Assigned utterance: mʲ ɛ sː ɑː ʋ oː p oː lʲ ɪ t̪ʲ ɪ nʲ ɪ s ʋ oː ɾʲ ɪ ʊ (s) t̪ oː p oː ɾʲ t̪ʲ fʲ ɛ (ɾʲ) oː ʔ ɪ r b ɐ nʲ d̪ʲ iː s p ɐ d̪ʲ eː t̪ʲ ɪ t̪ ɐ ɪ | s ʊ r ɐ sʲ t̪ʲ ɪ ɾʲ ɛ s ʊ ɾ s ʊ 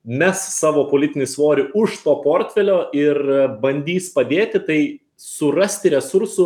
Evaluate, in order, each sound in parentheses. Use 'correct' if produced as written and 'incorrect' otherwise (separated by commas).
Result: incorrect, incorrect